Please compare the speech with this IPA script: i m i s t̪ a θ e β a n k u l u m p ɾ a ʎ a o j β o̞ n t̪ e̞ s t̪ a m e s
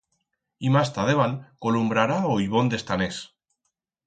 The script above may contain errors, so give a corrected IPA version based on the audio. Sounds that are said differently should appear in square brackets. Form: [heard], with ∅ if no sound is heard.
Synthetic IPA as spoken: i m [a] s t̪ a [ð] e β a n k [o] l u m [b] ɾ a [ɾ] a o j β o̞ n [d̪] e̞ s t̪ a [n] e s